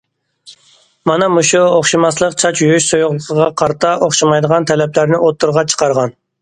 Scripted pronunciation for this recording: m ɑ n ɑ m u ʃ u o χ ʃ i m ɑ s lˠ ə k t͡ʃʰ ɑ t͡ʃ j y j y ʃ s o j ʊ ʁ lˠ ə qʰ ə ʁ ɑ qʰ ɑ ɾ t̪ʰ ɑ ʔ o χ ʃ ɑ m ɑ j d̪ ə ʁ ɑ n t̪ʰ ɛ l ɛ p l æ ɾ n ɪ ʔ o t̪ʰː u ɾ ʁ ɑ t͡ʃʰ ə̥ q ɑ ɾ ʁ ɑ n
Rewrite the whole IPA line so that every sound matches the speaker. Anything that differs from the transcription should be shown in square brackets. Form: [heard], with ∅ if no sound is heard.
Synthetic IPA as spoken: m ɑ n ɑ m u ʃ u o χ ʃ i m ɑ s lˠ ə [q] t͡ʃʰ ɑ t͡ʃ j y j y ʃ s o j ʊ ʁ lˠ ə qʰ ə ʁ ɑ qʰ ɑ ɾ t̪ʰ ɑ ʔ o χ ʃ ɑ m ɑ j d̪ ə ʁ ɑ n t̪ʰ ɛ l ɛ p l æ ɾ n ɪ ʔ o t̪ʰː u ɾ ʁ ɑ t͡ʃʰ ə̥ q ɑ ɾ ʁ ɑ n

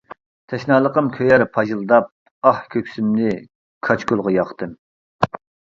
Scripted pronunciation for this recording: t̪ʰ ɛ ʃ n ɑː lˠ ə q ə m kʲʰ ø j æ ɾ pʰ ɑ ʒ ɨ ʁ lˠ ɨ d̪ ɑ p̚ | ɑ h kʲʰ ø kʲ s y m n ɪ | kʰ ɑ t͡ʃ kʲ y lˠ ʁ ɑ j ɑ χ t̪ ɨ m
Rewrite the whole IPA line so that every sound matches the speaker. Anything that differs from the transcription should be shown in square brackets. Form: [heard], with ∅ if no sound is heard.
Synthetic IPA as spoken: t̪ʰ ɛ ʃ n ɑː lˠ ə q ə m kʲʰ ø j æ ɾ pʰ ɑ ʒ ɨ [∅] lˠ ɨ d̪ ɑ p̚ | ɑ h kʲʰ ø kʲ s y m n ɪ | kʰ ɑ t͡ʃ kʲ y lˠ ʁ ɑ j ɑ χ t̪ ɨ m

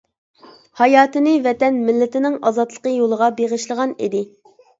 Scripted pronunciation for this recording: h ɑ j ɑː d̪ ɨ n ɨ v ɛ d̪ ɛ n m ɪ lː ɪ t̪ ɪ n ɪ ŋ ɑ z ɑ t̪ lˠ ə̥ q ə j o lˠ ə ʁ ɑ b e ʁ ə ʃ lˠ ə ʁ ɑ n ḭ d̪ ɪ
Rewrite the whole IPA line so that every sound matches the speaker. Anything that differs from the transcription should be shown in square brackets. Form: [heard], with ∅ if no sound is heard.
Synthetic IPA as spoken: h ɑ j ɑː [t̪] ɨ n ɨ v ɛ [t̪] ɛ n m ɪ lː ɪ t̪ ɪ n ɪ ŋ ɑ z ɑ t̪ lˠ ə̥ q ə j o lˠ ə ʁ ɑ b e ʁ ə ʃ lˠ ə ʁ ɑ n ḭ d̪ ɪ

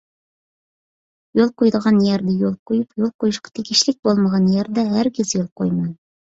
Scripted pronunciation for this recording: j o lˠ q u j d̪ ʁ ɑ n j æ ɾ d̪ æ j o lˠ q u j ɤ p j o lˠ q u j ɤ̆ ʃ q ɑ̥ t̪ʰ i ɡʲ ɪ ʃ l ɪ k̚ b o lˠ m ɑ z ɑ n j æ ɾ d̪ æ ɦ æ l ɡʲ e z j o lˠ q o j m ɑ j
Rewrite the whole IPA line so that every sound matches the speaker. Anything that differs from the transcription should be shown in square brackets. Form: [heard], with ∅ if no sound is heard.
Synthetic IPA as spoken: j o lˠ q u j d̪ ʁ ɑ n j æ ɾ d̪ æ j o lˠ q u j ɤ p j o lˠ q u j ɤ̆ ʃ q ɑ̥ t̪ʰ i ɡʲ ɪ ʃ l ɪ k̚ b o lˠ m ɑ [ʁ] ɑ n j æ ɾ d̪ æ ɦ æ [ɾ] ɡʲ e z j o lˠ q o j m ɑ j

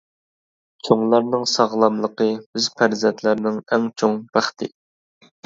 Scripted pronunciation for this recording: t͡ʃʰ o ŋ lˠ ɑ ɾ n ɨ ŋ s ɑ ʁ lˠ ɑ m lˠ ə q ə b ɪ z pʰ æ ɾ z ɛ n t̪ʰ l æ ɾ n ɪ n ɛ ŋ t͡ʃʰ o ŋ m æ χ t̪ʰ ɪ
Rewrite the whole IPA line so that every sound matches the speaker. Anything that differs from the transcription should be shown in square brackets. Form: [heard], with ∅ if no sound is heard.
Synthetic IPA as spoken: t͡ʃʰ o ŋ lˠ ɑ ɾ n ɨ ŋ s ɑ ʁ lˠ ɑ m lˠ ə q ə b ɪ z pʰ æ ɾ z ɛ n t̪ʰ l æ ɾ n ɪ [ŋ] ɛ ŋ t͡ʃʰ o ŋ [b] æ χ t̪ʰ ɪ

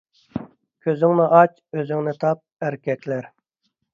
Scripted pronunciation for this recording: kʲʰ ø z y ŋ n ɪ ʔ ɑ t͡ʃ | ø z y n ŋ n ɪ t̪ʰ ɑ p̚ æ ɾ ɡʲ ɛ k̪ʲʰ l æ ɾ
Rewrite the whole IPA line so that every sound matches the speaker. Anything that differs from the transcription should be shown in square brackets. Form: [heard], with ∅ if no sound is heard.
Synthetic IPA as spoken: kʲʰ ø z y ŋ n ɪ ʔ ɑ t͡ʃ | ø z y [∅] ŋ n ɪ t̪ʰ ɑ p̚ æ ɾ [kʲ] ɛ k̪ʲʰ l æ ɾ

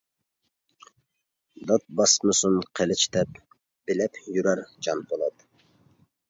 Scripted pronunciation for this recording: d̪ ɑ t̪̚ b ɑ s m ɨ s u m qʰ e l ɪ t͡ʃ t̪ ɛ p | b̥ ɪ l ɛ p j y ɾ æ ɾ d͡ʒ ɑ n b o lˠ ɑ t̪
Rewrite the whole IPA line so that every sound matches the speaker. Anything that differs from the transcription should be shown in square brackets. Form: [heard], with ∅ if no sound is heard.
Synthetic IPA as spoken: d̪ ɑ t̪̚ b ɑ s m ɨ s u [n] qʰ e l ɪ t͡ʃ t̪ ɛ p | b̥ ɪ l ɛ p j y ɾ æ ɾ d͡ʒ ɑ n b o lˠ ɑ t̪

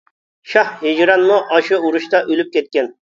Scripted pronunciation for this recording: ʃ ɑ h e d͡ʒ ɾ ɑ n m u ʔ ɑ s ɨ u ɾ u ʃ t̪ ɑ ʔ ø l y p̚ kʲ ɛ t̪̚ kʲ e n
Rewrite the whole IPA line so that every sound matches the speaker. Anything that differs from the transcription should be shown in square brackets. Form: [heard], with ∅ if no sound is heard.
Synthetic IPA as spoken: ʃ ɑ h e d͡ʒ ɾ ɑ n m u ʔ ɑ [ʃ] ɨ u ɾ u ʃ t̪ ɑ ʔ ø l y p̚ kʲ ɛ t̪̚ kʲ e n

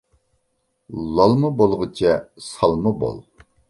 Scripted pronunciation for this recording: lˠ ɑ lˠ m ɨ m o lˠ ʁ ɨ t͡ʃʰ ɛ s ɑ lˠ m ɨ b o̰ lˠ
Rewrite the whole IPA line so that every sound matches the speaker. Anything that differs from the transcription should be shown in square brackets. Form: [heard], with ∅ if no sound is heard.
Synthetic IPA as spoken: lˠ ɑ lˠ m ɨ [b] o lˠ ʁ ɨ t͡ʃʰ ɛ s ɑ lˠ m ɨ b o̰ lˠ

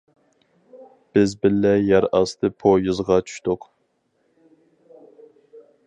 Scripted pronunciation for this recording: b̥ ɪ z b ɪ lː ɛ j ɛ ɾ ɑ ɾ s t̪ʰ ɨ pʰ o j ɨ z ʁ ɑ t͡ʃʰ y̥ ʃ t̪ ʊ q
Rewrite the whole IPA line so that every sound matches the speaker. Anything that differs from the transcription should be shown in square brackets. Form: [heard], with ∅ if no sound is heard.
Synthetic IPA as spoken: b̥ ɪ z b ɪ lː ɛ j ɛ ɾ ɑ [∅] s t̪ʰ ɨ pʰ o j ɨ z ʁ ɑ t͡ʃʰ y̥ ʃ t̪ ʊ q

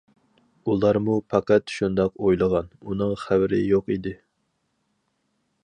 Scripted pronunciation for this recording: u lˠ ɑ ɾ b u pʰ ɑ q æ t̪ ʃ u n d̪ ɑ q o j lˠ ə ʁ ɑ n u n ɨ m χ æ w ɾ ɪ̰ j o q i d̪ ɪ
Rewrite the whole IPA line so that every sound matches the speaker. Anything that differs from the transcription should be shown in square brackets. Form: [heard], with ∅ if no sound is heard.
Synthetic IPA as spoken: u lˠ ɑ ɾ [m] u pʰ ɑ q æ t̪ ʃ u n d̪ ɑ q o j lˠ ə ʁ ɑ n u n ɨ [ŋ] χ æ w ɾ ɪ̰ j o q i d̪ ɪ

